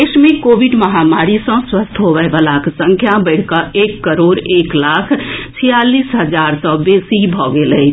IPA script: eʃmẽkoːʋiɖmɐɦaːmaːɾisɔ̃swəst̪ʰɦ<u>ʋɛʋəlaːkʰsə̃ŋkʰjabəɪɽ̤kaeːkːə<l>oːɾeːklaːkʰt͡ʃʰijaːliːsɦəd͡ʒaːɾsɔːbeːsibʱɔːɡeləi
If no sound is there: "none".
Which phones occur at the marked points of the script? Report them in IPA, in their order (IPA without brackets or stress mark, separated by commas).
o, ɾ